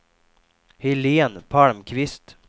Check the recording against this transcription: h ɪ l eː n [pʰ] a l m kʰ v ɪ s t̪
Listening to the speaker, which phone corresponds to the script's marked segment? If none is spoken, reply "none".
pʰ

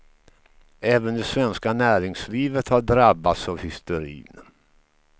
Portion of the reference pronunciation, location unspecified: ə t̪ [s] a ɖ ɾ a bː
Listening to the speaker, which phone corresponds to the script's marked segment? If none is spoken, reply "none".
h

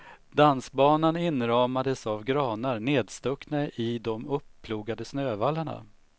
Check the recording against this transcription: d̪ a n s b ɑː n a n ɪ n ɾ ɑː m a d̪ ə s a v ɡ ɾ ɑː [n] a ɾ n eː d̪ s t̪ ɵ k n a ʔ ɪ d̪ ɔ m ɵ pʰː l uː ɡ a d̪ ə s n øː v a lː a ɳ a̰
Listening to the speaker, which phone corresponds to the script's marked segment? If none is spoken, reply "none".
n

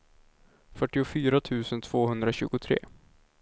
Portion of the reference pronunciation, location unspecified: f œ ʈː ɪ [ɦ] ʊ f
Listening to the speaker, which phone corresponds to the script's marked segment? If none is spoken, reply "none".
none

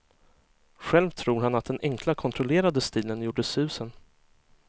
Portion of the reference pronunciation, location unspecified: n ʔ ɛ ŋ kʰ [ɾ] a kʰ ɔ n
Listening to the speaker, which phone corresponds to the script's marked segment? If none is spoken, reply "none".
l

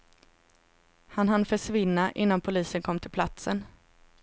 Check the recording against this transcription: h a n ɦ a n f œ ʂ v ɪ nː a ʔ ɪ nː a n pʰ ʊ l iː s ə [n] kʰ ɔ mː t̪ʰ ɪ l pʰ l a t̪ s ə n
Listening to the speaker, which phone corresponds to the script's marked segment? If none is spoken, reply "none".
n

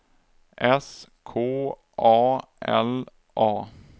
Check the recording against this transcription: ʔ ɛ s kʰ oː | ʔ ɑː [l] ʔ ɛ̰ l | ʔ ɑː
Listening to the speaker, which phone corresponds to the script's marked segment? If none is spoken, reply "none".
none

